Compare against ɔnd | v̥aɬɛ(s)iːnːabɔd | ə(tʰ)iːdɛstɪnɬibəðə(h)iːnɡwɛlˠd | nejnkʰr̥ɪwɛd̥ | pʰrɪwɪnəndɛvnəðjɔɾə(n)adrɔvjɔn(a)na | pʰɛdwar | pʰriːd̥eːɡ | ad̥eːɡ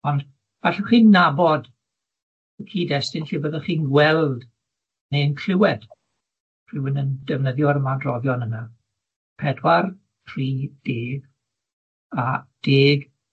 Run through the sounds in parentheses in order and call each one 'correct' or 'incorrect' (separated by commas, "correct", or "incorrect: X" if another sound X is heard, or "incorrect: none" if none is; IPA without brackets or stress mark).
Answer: incorrect: χ, incorrect: kʰ, incorrect: χ, incorrect: m, incorrect: ə